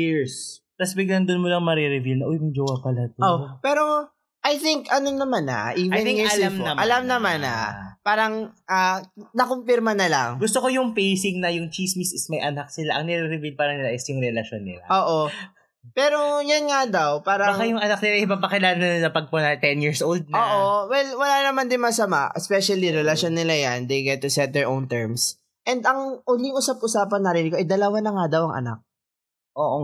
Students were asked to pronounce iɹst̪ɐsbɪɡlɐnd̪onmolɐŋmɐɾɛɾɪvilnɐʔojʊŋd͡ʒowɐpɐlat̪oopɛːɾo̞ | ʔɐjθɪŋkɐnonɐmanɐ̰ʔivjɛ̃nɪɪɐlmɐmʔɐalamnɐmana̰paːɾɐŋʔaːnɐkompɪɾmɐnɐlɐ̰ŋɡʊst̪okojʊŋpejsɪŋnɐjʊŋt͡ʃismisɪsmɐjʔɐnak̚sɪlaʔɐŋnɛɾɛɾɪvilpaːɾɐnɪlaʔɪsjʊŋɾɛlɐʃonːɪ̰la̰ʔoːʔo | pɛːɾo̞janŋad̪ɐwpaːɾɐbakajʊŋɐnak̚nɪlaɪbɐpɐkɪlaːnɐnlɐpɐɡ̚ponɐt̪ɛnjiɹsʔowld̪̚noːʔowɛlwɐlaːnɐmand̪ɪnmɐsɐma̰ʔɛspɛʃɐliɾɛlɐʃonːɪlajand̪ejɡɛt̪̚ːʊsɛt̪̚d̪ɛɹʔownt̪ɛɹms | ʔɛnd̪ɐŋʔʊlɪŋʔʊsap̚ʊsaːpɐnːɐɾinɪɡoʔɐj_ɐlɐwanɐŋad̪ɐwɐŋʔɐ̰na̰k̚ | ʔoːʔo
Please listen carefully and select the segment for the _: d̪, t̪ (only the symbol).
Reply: d̪